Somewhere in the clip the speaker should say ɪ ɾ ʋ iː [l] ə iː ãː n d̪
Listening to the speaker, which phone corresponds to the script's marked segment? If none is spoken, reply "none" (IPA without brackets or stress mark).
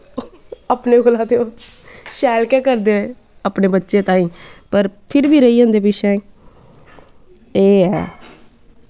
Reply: ɾ